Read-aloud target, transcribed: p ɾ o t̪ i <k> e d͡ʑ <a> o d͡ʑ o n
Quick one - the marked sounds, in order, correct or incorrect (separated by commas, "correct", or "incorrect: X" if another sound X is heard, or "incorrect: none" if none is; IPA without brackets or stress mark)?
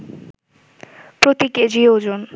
correct, incorrect: i